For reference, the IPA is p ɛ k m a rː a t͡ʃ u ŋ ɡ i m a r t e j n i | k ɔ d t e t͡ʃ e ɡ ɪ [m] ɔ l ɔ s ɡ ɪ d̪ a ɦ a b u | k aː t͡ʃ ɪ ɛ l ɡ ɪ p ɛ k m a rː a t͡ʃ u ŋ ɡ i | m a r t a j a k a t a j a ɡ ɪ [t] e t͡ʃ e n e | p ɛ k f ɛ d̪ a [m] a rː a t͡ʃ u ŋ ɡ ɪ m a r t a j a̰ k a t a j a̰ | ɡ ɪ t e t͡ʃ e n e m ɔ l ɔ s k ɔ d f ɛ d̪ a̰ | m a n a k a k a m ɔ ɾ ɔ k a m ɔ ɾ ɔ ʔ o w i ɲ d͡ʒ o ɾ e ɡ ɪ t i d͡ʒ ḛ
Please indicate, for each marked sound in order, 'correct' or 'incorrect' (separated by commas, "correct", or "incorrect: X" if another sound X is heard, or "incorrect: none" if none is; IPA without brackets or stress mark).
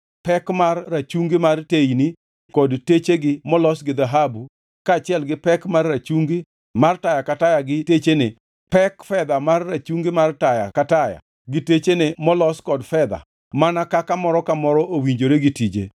correct, correct, correct